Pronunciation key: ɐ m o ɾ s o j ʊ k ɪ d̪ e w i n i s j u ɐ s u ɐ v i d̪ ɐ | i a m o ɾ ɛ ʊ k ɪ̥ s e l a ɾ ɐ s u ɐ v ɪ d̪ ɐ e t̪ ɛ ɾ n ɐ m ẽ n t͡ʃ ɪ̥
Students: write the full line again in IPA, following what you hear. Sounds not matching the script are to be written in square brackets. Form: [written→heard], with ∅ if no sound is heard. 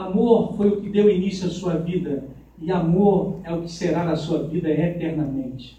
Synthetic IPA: [ɐ→a] m o ɾ [s→f] o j ʊ k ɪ d̪ e w i n i s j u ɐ s u ɐ v i d̪ ɐ | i a m o ɾ ɛ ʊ k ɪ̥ s e [l→ɾ] a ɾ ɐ s u ɐ v [ɪ→i] d̪ ɐ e t̪ ɛ ɾ n ɐ m ẽ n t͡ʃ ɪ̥